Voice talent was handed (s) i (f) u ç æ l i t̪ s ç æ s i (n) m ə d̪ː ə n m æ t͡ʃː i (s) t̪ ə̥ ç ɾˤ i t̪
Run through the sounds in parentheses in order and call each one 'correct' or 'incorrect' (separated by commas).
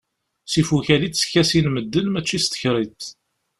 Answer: correct, correct, correct, correct